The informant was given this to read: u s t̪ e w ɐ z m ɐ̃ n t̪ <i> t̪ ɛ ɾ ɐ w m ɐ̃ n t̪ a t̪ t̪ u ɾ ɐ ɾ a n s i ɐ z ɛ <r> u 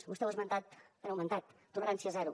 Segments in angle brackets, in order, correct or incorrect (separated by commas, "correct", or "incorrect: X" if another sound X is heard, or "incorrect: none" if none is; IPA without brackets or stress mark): incorrect: a, incorrect: ɾ